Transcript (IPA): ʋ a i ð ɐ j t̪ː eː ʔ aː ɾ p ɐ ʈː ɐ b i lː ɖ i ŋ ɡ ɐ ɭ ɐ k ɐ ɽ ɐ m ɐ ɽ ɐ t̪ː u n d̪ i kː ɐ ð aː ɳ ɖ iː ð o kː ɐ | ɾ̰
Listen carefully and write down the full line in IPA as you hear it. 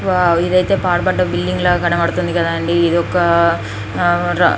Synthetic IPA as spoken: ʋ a i ð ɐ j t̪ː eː p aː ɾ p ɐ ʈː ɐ b i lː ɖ i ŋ ɡ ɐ ɭ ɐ k ɐ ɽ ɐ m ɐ ɽ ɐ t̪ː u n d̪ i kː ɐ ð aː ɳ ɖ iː ð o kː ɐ | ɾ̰